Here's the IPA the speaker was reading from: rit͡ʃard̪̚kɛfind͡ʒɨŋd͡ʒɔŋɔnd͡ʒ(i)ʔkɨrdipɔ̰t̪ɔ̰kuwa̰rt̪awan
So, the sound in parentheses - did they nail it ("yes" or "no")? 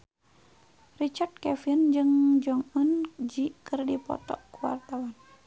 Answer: yes